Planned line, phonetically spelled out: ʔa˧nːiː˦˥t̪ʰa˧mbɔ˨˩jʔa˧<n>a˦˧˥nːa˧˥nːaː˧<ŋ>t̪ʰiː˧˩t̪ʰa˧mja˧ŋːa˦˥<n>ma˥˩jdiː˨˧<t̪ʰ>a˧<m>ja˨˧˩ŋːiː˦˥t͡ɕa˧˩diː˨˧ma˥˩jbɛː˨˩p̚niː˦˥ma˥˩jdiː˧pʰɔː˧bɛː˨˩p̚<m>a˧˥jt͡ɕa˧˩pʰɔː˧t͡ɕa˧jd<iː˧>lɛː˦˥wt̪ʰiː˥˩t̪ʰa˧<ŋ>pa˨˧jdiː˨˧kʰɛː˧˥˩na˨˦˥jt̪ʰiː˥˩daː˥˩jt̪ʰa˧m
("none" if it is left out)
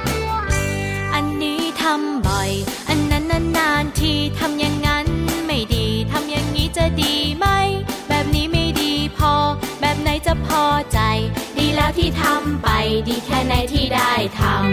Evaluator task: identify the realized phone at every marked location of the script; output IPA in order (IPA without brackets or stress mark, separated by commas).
nː, n, n, t̪ʰ, m, n, iː˧, m